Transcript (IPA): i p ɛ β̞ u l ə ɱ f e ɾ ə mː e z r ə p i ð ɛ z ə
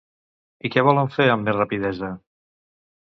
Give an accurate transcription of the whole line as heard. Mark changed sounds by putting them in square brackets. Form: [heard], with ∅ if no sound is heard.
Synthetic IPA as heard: i [k] ɛ β̞ [ɔ] l ə ɱ f e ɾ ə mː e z r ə p i ð ɛ z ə

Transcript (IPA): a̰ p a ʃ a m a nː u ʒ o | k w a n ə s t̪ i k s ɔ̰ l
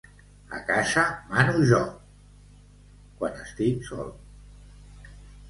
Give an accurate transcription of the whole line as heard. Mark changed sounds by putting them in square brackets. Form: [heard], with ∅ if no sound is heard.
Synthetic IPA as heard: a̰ [k] a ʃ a m a [n] u ʒ [ɔ] | k w a n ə s t̪ i k s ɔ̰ l

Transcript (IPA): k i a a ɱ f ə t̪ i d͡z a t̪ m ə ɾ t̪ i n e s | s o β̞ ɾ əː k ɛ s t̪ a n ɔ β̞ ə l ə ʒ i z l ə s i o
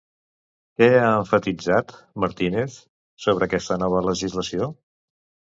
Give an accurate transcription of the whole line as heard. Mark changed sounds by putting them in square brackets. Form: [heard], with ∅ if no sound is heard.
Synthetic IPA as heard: k [ɛ] a [ə] ɱ f ə t̪ i d͡z a t̪ m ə ɾ t̪ i n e [θ] | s o β̞ ɾ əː k ɛ s t̪ [ə] n ɔ β̞ ə l ə ʒ i z l ə s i o

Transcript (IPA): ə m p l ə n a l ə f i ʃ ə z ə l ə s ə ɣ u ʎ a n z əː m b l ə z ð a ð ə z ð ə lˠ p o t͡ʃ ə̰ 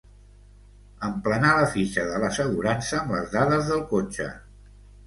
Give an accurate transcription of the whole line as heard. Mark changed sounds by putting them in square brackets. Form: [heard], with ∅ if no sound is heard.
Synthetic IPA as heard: ə m p l ə n a l ə f i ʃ ə [ð] ə l ə s ə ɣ u [ɾ] a n [s] əː m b l ə z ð a ð ə z ð ə lˠ [k] o t͡ʃ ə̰

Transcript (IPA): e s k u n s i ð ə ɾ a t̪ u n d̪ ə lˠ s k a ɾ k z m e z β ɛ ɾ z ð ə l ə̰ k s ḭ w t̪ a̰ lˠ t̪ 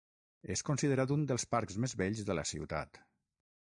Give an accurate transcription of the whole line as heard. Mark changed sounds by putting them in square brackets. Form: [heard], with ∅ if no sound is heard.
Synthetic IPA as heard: e s k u n s i ð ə ɾ a t̪ u n d̪ ə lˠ s [p] a ɾ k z m e z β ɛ [ʎ] z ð ə l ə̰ [∅] s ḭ w t̪ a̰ [∅] t̪

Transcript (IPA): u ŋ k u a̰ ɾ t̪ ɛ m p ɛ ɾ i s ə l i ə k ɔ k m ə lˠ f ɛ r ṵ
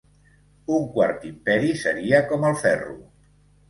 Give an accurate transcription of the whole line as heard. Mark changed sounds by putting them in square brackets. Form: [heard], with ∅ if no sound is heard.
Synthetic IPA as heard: u ŋ k [w] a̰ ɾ t̪ [i] m p ɛ ɾ i s ə [ɾ] i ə k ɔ [∅] m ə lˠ f ɛ r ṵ

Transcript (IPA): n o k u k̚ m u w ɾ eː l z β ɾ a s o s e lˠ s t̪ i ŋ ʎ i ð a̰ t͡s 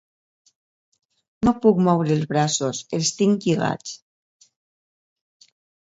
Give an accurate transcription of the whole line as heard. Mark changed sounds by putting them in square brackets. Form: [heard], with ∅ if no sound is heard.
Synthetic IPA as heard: n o [p] u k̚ m [ɔ] w ɾ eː l z β ɾ a s o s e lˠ s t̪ i ŋ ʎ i [ɣ] a̰ t͡s

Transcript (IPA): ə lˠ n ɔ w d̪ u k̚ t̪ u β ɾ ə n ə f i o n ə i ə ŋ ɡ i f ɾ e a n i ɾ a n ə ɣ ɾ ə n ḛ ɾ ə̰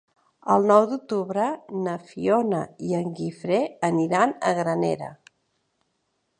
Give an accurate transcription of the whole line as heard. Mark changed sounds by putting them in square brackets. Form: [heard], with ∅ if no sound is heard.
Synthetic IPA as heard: ə lˠ n ɔ w d̪ u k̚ t̪ u β ɾ ə n ə f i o n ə i ə ŋ ɡ i f ɾ e [ə] n i ɾ a n ə ɣ ɾ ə n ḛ ɾ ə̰

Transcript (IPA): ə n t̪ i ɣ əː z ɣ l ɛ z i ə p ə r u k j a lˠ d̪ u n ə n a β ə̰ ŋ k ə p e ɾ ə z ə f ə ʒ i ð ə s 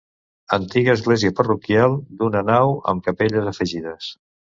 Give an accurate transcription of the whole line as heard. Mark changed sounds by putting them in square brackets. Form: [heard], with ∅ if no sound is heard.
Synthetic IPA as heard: ə n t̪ i ɣ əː z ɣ l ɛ z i ə p ə r u k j a lˠ d̪ u n ə n a [w] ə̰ [m] k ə p e [ʎ] ə z ə f ə ʒ i ð ə s

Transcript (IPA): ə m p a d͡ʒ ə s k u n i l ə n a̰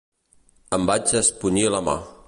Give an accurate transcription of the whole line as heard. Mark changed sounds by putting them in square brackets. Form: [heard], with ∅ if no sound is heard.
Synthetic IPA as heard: ə m [b] a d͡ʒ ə s [p] u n i l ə [m] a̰

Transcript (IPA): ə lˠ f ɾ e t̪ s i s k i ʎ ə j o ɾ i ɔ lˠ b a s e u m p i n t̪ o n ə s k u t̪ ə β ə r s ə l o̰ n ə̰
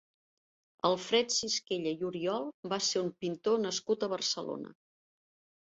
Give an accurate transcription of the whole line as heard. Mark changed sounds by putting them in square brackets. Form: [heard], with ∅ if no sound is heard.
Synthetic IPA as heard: ə lˠ f ɾ [ɛ] t̪ s i s k [e] ʎ ə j [u] ɾ i ɔ lˠ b a s e u m p i n t̪ o n ə s k u t̪ ə β ə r s ə l o̰ n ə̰

